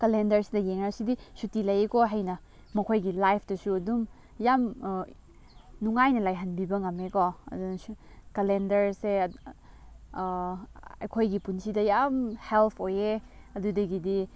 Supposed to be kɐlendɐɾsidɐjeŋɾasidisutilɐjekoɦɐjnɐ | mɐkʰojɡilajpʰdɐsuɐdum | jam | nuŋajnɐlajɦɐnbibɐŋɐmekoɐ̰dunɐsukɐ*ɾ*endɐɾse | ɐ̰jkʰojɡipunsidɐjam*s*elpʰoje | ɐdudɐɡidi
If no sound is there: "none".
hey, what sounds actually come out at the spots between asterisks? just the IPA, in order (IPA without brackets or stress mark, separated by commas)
l, h